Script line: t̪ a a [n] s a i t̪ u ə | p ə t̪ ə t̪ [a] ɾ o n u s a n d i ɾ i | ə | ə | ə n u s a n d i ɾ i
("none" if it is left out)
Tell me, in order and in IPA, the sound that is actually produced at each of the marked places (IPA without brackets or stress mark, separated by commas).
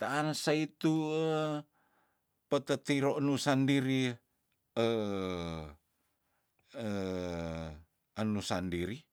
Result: n, i